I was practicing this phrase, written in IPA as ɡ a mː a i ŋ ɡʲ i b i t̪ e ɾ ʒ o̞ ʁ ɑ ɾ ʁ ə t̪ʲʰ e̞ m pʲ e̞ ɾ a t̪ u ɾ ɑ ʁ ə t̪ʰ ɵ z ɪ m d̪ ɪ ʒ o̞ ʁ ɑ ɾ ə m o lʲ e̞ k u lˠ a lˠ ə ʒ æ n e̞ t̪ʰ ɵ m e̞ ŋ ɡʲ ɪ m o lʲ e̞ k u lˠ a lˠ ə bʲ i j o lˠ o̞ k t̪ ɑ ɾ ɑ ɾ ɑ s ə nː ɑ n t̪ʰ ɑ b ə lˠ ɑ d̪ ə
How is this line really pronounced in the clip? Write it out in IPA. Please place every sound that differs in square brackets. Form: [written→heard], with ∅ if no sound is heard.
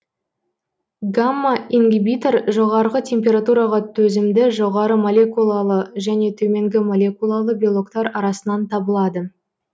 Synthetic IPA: ɡ a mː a i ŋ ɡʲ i b i t̪ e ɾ ʒ o̞ ʁ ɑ ɾ ʁ ə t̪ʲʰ e̞ m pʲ e̞ ɾ a t̪ u ɾ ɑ ʁ [ə→ɑ] t̪ʰ ɵ z ɪ m d̪ ɪ ʒ o̞ ʁ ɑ ɾ ə m o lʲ e̞ k u lˠ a lˠ ə ʒ æ n e̞ t̪ʰ ɵ m e̞ ŋ ɡʲ ɪ m o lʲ e̞ k u lˠ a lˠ ə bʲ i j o lˠ o̞ k t̪ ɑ ɾ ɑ ɾ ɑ s ə [nː→n] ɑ n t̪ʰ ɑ b ə lˠ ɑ d̪ ə